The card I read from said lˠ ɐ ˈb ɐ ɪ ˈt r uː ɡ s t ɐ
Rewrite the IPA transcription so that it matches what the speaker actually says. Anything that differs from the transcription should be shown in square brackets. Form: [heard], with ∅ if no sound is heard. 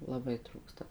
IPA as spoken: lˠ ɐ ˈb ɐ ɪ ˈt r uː [k] s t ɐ